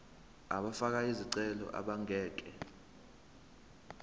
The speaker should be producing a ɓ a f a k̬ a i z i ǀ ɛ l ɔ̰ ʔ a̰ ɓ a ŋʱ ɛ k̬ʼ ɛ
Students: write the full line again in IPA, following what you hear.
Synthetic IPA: a ɓ a f a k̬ a i z i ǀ ɛ l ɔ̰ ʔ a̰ ɓ a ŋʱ ɛː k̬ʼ ɛ